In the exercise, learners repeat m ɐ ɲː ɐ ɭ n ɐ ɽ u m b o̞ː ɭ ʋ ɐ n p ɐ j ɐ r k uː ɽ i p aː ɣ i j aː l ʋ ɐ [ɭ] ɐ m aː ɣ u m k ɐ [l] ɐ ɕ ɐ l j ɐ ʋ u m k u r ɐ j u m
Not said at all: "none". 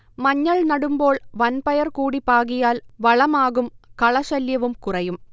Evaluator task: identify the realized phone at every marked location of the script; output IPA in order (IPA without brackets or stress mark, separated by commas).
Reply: ɭ, ɭ